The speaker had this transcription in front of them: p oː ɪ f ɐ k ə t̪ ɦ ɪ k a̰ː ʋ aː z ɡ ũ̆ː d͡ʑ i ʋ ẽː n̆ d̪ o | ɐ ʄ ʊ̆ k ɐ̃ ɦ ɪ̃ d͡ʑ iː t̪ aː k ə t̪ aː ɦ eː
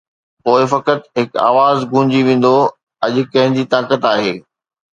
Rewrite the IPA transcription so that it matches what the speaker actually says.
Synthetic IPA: p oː ɪ f ɐ k ə t̪ ɦ ɪ k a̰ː ʋ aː z ɡ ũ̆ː d͡ʑ i ʋ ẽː n̆ d̪ o | ɐ ʄ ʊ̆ k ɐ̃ ɦ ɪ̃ d͡ʑ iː t̪ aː k ə t̪ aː ɦ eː

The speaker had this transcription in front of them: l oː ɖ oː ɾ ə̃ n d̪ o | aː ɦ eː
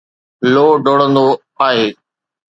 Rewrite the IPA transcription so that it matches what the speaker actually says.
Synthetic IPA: l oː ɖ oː ɽ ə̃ n d̪ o | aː ɦ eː

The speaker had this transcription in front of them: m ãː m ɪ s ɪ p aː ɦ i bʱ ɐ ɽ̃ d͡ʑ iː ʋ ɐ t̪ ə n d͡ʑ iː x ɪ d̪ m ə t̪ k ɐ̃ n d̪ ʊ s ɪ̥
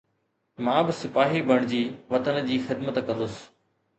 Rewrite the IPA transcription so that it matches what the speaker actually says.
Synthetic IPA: m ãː b ɪ s ɪ p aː ɦ i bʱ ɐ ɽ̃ d͡ʑ iː ʋ ɐ t̪ ə n d͡ʑ iː x ɪ d̪ m ə t̪ k ɐ̃ n d̪ ʊ s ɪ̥

